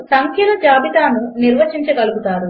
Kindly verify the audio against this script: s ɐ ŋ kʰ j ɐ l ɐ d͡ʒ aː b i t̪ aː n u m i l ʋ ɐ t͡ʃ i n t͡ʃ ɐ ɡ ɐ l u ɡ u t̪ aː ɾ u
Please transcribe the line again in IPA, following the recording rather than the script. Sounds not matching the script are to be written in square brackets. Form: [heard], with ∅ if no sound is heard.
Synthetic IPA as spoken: s ɐ ŋ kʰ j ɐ l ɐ d͡ʒ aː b i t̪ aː n u [n] i [ɾ] ʋ ɐ t͡ʃ i [ɲ] t͡ʃ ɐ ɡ ɐ l u ɡ u t̪ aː ɾ u